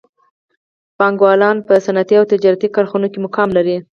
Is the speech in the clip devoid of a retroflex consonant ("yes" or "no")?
yes